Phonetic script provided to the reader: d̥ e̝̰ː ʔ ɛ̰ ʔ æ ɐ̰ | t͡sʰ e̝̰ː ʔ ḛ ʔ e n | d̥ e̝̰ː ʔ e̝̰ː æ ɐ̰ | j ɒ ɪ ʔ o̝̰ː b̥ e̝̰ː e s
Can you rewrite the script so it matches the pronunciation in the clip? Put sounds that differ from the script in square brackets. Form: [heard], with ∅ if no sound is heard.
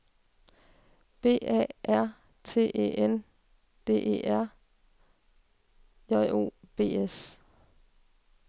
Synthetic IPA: [b̥] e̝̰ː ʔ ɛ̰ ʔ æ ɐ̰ | t͡sʰ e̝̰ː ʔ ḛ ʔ e n | d̥ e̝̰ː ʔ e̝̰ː æ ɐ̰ | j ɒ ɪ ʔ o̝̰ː b̥ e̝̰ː e s